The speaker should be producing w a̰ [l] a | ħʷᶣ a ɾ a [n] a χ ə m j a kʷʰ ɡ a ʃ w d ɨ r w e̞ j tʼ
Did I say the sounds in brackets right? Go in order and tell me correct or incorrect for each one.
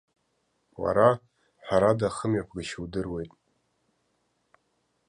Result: incorrect: ɾ, incorrect: d

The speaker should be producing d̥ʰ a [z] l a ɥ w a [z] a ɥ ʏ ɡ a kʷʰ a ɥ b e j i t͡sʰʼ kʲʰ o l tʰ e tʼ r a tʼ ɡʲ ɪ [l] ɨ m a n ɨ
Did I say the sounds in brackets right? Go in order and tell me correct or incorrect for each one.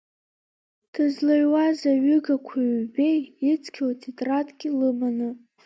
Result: correct, correct, correct

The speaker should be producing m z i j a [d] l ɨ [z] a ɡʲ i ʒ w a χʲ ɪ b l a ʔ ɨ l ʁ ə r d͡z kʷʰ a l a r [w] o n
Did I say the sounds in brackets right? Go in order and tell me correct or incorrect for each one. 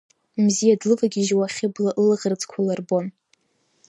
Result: correct, incorrect: v, incorrect: b

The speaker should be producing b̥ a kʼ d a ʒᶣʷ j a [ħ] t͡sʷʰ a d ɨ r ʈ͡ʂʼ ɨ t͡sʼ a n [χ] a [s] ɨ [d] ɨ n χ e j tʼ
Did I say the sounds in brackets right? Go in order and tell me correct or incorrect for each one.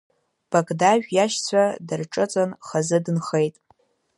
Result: incorrect: ʃ, correct, incorrect: z, correct

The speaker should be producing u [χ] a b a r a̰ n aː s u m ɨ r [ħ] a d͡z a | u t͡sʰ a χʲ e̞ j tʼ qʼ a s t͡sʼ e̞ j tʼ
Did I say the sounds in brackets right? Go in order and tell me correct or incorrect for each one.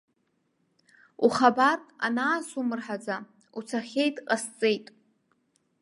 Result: correct, correct

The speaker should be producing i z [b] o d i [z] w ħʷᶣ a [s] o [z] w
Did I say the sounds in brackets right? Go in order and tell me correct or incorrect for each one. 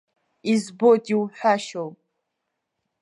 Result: correct, incorrect: none, incorrect: ʃ, incorrect: none

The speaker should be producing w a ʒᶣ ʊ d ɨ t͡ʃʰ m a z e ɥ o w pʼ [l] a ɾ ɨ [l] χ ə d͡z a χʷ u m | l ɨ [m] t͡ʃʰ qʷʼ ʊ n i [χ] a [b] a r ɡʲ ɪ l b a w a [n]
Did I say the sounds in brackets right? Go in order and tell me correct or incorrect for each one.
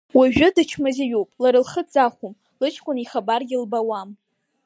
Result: correct, correct, incorrect: none, correct, correct, incorrect: m

